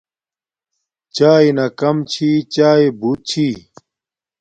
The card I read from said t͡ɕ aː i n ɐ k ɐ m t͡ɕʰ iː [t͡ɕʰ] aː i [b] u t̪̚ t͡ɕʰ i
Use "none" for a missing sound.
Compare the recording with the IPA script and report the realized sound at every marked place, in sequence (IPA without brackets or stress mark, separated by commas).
t͡ɕ, b